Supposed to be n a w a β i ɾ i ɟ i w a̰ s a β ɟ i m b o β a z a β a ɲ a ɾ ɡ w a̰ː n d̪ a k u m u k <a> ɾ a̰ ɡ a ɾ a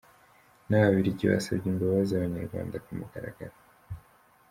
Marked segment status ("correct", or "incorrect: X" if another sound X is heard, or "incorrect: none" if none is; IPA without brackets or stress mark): correct